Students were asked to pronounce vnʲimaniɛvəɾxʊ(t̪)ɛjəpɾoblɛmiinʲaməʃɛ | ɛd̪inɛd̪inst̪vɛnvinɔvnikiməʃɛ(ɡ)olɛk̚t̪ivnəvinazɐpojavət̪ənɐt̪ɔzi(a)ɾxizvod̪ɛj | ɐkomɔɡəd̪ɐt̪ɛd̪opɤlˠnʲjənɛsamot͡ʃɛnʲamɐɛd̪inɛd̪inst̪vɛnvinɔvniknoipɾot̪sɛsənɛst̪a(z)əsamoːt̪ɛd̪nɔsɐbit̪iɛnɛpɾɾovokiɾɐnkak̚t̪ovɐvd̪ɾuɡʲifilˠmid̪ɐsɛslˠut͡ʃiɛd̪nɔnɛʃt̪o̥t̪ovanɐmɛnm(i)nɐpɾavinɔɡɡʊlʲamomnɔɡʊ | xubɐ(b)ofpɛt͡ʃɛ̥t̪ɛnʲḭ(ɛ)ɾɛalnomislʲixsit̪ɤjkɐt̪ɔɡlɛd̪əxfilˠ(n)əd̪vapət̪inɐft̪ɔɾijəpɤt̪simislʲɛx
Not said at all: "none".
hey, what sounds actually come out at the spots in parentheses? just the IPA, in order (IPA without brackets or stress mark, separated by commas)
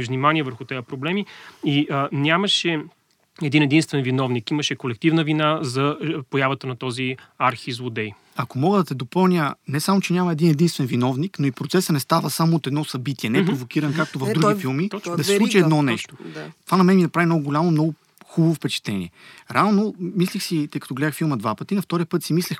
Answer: t̪, k, a, v, i, v, ɛ, m